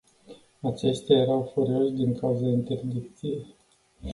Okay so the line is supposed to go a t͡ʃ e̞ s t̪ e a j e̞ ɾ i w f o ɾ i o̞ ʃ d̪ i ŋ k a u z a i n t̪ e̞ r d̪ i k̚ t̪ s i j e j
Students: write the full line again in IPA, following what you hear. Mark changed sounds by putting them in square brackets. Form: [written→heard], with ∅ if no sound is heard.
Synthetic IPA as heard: a t͡ʃ e̞ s t̪ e a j e̞ ɾ [i→a] w f o ɾ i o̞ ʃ d̪ i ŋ k a u z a i n t̪ e̞ r d̪ i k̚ t̪ s i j e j